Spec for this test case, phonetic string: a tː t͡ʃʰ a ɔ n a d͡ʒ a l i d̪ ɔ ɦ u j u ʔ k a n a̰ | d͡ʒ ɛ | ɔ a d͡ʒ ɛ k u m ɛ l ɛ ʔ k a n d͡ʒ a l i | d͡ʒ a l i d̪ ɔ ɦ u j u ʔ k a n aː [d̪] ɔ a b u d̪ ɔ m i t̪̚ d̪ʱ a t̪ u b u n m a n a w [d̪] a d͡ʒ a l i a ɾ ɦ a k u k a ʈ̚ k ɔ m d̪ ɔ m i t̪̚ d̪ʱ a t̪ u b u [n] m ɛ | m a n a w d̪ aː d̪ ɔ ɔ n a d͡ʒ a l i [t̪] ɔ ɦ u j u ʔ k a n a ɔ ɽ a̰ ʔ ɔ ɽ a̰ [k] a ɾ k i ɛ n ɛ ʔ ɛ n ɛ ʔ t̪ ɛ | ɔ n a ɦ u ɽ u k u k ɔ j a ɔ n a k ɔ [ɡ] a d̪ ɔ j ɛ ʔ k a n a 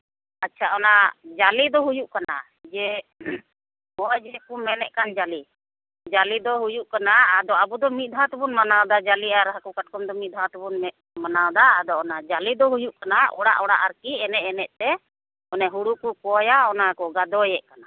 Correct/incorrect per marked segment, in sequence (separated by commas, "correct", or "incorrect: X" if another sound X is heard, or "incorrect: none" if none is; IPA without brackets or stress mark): correct, correct, correct, incorrect: d̪, incorrect: ʔ, correct